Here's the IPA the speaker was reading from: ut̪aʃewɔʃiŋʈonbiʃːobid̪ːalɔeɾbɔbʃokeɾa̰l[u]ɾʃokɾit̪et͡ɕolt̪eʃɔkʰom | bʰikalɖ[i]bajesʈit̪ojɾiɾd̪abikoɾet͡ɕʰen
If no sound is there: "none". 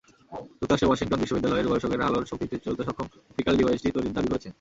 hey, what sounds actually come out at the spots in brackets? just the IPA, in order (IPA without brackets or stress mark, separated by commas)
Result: o, i